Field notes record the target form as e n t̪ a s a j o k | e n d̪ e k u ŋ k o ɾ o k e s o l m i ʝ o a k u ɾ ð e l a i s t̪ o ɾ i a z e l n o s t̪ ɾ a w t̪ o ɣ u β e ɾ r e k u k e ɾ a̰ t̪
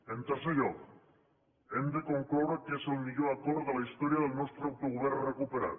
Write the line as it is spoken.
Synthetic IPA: e n t̪ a s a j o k | e n d̪ e k o ŋ k o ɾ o k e s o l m i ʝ o a k o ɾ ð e l a i s t̪ o ɾ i a ð e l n o s t̪ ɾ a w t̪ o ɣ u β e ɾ r e k u p e ɾ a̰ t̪